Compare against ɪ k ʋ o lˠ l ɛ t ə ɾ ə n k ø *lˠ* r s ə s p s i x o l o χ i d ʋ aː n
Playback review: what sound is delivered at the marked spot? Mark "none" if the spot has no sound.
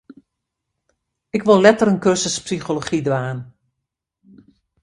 none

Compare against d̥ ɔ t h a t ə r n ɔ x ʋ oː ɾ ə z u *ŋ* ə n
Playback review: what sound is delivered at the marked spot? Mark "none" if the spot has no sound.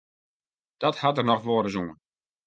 ŋ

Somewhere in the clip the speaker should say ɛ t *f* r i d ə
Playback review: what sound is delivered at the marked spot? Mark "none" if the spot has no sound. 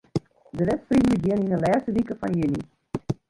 f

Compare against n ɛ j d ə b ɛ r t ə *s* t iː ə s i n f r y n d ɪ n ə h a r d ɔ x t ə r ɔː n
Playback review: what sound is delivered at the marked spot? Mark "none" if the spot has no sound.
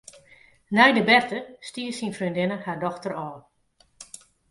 s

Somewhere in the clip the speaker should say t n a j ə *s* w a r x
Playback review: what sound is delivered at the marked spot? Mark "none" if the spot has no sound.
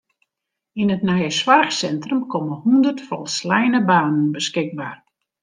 s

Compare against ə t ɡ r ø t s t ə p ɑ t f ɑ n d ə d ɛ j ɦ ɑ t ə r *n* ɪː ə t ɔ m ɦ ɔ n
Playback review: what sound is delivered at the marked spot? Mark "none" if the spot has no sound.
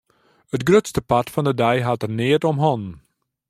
n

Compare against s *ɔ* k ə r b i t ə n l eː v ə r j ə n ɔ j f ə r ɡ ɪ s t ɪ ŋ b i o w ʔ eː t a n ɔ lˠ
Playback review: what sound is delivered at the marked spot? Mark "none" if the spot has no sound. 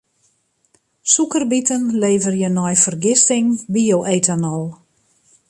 u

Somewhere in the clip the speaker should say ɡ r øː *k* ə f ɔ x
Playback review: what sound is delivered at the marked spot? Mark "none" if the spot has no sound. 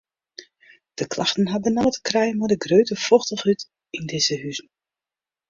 t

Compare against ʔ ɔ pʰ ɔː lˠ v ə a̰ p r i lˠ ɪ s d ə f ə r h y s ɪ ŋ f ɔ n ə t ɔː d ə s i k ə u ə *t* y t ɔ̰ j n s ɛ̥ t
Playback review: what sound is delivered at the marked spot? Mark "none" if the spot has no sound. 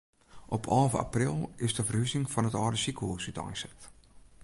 s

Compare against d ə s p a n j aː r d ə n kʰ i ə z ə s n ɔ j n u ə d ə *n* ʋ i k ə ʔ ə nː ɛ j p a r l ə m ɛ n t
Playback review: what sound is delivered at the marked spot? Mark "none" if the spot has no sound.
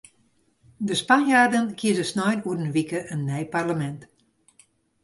n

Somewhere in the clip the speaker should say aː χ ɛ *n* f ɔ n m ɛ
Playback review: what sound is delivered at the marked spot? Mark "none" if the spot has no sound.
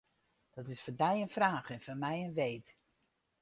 n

